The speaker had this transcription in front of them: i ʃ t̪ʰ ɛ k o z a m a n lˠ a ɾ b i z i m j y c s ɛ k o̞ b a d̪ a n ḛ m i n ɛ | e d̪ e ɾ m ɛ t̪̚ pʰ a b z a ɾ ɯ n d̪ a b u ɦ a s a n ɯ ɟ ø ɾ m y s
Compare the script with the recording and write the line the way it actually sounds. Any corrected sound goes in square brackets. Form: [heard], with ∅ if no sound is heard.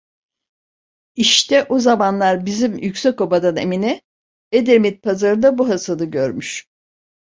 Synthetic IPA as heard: i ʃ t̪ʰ ɛ [ʔ] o z a m a n lˠ a ɾ b i z i m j y c s ɛ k o̞ b a d̪ a n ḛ m i n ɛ | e d̪ e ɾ m [i] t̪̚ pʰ a [∅] z a ɾ ɯ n d̪ a b u ɦ a s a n ɯ ɟ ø ɾ m y [ʃ]

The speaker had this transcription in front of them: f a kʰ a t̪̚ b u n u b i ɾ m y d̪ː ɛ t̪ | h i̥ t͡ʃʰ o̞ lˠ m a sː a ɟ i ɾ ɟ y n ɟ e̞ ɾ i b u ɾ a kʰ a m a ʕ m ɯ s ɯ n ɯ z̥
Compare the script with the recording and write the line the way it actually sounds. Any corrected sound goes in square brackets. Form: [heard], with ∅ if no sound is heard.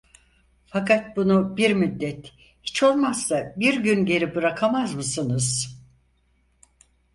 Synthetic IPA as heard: f a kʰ a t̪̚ b u n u b i ɾ m y d̪ː ɛ t̪ | h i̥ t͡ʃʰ o̞ lˠ m a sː a [b] i ɾ ɟ y n ɟ e̞ ɾ i b [ɯ] ɾ a kʰ a m a [z] m ɯ s ɯ n ɯ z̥

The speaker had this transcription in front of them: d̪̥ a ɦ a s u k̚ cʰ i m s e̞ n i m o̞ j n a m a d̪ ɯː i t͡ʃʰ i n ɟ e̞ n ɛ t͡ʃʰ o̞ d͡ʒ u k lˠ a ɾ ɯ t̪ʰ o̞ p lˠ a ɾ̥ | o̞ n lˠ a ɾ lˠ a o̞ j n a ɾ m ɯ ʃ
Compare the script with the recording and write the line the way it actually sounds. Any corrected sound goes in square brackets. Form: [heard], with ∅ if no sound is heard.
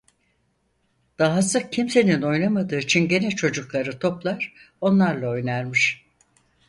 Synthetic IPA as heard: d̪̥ a ɦ a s [ɯ] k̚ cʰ i m s e̞ n i [n] o̞ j n a m a d̪ ɯː i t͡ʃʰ i n ɟ e̞ n ɛ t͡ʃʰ o̞ d͡ʒ u k lˠ a ɾ ɯ t̪ʰ o̞ p lˠ a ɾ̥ | o̞ n lˠ a ɾ lˠ a o̞ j n a ɾ m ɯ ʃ

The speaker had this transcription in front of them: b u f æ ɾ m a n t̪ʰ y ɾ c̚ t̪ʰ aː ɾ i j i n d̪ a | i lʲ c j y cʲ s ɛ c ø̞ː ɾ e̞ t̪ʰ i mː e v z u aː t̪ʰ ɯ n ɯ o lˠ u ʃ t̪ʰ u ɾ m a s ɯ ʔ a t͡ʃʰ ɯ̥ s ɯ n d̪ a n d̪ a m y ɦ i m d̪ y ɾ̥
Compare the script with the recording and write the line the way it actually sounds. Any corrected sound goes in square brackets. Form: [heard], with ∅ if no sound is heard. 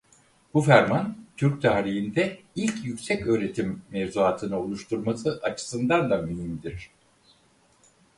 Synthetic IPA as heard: b u f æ ɾ m a n t̪ʰ y ɾ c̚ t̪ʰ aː ɾ i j i n d̪ [ɛ] | i lʲ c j y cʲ s ɛ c ø̞ː ɾ e̞ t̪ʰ i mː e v z u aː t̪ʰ ɯ n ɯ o lˠ u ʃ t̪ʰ u ɾ m a s ɯ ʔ a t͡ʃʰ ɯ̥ s ɯ n d̪ a n d̪ a m y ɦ i m d̪ [i] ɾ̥

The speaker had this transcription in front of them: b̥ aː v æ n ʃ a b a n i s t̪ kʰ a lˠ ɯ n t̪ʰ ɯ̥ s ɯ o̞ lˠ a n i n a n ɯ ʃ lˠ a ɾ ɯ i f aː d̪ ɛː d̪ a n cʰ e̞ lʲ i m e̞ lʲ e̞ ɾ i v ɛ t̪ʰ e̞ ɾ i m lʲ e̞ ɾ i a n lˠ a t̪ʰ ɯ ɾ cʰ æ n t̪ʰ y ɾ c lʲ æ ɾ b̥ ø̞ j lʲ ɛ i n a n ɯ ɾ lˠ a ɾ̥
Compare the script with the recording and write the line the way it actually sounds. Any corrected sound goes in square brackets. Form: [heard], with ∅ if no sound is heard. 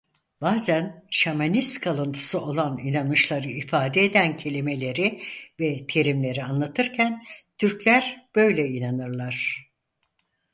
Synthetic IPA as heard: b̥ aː [z] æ n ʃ a [m] a n i s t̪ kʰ a lˠ ɯ n t̪ʰ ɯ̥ s ɯ o̞ lˠ a n i n a n ɯ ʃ lˠ a ɾ ɯ i f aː d̪ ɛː d̪ [æ] n cʰ e̞ lʲ i m e̞ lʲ e̞ ɾ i v ɛ t̪ʰ e̞ ɾ i m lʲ e̞ ɾ i a n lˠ a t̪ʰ ɯ ɾ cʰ æ n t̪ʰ y ɾ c lʲ æ ɾ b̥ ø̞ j lʲ ɛ i n a n ɯ ɾ lˠ a ɾ̥

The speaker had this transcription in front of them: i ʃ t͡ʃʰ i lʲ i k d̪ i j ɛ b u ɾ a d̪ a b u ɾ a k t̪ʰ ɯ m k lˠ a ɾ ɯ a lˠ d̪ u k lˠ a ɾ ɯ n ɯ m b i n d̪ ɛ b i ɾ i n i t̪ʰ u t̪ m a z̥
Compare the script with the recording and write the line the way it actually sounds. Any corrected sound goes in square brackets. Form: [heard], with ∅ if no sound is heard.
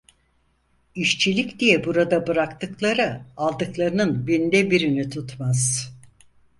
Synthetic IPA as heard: i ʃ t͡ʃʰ i lʲ i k d̪ i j ɛ b u ɾ a d̪ a b [ɯ] ɾ a k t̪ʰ ɯ [∅] k lˠ a ɾ ɯ a lˠ d̪ [ɯ] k lˠ a ɾ ɯ n ɯ [n] b i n d̪ ɛ b i ɾ i n i t̪ʰ u t̪ m a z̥

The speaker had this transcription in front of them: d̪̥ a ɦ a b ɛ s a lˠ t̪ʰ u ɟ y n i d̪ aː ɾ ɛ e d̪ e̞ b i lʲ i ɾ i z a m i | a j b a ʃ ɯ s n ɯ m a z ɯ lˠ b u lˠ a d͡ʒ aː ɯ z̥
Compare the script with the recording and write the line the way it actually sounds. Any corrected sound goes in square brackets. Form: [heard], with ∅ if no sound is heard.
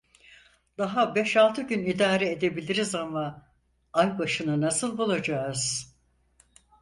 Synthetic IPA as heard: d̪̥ a ɦ a b ɛ [ʃ] a lˠ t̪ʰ [ɯ] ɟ y n i d̪ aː ɾ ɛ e d̪ e̞ b i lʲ i ɾ i z a m [a] | a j b a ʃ ɯ [∅] n ɯ [n] a [s] ɯ lˠ b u lˠ a d͡ʒ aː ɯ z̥

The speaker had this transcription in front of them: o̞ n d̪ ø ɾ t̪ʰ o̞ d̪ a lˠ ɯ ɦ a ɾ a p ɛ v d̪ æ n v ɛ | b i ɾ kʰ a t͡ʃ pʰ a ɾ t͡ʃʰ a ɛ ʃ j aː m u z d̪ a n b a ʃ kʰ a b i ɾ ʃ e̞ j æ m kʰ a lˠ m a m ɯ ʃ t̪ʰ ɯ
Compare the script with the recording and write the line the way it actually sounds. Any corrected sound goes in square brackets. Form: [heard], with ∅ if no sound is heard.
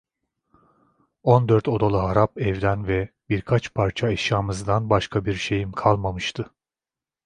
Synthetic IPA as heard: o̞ n d̪ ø ɾ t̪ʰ o̞ d̪ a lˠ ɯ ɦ a ɾ a p ɛ v d̪ æ n v ɛ | b i ɾ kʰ a t͡ʃ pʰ a ɾ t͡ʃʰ a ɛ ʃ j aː m [ɯ] z d̪ a n b a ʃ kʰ a b i ɾ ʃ e̞ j [i] m kʰ a lˠ m a m ɯ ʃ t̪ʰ ɯ

